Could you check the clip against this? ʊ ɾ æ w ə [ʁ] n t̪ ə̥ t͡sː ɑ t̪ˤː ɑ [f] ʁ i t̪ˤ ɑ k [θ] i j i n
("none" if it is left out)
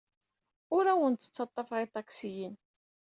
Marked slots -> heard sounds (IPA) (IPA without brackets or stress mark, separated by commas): none, f, s